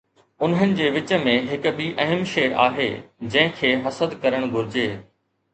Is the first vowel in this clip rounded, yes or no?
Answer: yes